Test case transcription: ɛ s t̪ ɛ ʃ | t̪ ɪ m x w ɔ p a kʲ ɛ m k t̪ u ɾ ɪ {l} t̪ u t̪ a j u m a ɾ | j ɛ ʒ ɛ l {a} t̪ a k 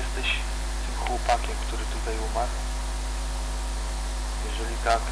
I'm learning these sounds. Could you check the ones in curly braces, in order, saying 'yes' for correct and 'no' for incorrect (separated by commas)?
no, no